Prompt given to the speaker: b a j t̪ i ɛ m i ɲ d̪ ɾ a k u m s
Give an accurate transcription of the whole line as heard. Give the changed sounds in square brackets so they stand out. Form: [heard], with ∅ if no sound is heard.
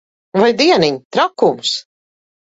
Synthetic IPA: [v] a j [d̪] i ɛ [n] i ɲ [t̪] ɾ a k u m s